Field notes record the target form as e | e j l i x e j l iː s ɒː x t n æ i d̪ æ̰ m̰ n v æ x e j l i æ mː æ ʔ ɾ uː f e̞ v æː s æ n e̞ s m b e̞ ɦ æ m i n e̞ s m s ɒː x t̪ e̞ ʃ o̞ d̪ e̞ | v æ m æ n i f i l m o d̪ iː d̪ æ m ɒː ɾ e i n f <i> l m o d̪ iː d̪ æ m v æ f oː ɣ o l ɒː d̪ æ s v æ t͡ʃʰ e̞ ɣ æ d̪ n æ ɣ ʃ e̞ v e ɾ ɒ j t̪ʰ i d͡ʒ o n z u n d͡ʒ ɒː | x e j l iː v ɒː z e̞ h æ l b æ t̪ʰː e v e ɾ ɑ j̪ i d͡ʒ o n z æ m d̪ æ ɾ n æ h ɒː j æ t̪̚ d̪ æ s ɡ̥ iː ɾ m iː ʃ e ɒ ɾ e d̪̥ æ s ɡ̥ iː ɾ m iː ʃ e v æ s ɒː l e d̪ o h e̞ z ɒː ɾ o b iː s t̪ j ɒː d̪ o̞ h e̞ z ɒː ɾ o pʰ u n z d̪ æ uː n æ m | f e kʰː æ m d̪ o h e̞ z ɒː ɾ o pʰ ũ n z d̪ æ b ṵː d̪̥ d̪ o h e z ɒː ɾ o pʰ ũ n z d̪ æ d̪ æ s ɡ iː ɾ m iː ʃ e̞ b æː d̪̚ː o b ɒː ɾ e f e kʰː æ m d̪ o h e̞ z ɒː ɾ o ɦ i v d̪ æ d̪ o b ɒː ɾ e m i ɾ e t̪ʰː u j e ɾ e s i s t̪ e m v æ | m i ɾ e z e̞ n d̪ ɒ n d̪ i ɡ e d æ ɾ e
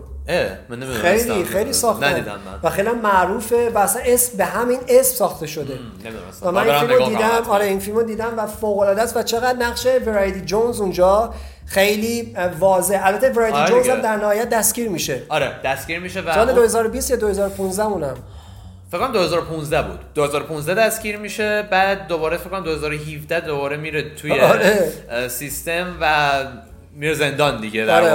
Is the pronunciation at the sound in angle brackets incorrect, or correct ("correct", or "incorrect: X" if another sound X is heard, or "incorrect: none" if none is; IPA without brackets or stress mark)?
correct